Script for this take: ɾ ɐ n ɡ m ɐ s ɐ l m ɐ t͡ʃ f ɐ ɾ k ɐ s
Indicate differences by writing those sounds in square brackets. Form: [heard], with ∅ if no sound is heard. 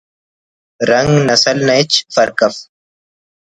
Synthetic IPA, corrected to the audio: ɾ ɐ [ŋ] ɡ [n] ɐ s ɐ l [n] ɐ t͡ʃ f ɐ ɾ k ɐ [f]